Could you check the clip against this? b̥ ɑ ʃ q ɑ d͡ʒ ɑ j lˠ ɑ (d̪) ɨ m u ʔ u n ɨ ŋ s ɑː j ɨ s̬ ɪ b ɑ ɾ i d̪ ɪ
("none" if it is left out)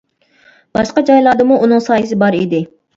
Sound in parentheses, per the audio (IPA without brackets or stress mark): d̪